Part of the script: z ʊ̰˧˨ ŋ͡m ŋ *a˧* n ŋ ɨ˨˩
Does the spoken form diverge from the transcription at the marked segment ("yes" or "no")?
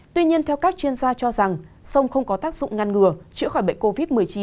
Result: no